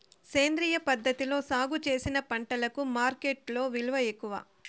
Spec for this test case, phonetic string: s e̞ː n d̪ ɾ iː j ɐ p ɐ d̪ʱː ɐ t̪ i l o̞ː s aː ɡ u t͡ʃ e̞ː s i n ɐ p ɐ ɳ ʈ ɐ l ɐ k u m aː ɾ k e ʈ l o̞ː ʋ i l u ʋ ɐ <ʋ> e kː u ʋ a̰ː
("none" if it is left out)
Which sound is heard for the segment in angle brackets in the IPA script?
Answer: none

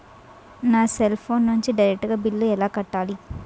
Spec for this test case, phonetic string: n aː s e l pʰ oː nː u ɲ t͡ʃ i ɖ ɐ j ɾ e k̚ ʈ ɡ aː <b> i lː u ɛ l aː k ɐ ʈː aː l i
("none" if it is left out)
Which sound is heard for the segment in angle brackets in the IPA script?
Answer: b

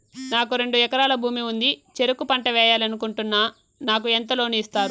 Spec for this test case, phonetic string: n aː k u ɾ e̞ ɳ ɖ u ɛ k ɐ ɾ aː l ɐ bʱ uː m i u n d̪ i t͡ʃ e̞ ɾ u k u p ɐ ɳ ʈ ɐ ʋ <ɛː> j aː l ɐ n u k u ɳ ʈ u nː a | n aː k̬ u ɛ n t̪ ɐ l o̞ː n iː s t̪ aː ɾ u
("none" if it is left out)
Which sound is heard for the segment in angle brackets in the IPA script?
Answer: ɛː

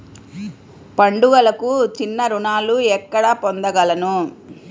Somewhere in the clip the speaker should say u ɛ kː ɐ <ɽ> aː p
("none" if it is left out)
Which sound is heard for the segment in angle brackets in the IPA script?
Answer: ɽ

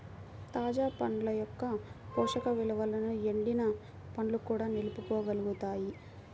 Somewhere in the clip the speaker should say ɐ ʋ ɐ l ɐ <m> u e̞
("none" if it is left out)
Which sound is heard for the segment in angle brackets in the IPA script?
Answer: n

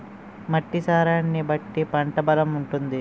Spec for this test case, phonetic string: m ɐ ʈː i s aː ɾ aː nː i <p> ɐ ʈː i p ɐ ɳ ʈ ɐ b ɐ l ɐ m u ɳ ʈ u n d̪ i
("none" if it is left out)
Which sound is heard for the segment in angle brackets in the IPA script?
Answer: b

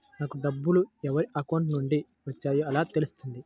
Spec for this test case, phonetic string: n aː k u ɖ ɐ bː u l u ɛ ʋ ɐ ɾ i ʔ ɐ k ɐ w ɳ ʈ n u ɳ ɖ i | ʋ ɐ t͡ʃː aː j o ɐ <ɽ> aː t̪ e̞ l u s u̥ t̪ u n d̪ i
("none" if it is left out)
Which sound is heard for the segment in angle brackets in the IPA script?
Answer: l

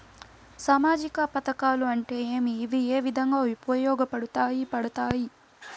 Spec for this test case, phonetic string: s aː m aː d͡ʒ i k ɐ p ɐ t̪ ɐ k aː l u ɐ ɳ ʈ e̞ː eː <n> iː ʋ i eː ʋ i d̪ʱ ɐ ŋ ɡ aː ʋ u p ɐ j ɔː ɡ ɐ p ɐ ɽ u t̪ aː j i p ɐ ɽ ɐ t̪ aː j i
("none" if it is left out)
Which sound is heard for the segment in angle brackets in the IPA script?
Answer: m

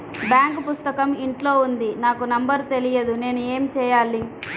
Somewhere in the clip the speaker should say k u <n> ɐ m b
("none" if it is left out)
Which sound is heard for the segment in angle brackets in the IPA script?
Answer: n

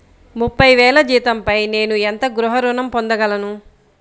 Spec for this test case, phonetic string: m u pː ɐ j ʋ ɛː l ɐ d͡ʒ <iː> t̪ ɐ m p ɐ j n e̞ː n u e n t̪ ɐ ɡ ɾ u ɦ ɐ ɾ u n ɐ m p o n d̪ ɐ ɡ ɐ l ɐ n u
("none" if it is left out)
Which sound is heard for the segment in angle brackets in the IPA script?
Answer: iː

